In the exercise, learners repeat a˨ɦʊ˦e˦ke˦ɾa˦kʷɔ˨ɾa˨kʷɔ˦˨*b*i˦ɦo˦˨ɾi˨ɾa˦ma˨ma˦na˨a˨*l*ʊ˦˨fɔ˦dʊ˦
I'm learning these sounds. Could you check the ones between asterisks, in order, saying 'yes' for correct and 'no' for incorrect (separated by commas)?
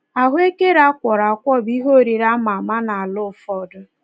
yes, yes